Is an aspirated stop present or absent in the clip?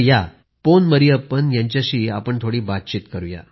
present